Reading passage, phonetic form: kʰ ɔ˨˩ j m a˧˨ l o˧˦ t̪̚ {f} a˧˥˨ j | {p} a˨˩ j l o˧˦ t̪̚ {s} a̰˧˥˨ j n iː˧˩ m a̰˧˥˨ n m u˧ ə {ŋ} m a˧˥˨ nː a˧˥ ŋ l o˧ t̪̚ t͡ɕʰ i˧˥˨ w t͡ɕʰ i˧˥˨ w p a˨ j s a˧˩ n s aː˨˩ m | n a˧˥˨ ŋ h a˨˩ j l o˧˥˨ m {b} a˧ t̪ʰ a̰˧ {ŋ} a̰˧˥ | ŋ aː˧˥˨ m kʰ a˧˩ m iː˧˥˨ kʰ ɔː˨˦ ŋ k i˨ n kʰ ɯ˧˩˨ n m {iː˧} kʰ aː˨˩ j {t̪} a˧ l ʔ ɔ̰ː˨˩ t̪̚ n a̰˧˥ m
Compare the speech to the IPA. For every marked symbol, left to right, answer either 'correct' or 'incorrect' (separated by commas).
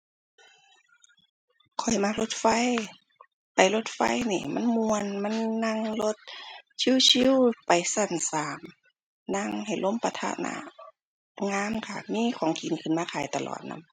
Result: correct, correct, incorrect, incorrect, incorrect, incorrect, incorrect, correct